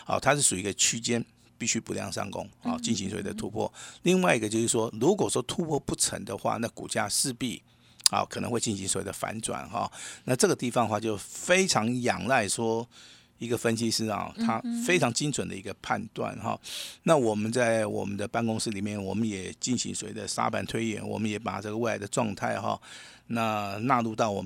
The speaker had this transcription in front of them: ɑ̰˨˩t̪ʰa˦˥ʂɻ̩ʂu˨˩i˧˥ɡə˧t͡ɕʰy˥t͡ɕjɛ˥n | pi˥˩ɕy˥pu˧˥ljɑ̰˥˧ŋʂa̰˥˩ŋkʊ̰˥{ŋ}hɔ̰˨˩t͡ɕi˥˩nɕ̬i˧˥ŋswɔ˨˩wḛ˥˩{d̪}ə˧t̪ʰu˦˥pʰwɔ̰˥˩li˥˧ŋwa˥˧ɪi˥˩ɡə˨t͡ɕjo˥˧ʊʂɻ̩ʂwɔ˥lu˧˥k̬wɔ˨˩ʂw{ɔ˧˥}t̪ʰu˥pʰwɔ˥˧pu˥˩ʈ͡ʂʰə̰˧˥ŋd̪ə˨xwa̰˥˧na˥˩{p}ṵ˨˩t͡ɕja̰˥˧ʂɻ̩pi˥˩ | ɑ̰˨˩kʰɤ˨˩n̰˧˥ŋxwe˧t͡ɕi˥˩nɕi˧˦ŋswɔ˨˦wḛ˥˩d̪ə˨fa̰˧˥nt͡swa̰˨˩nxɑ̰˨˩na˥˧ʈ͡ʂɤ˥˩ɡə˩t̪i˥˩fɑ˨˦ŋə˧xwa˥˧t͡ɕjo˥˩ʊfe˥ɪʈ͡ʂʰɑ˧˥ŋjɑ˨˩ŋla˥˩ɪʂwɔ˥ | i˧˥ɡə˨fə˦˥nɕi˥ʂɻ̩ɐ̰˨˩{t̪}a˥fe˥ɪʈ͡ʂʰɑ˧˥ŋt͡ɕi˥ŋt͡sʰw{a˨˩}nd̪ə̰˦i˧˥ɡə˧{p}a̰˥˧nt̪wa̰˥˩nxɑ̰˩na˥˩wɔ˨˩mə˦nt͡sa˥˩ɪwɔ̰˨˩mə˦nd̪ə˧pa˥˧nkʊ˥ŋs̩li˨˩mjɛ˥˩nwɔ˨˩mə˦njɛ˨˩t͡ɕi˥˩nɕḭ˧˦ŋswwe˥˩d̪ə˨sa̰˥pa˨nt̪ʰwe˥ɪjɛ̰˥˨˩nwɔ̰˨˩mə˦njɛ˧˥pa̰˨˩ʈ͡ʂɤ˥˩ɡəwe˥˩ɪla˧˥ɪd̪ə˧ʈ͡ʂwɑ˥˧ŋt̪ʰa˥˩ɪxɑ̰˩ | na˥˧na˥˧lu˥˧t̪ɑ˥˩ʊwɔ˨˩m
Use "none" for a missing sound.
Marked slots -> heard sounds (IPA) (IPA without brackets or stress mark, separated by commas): ŋ, d̪, ɔ˥, k, t̪ʰ, ə˨˩, pʰ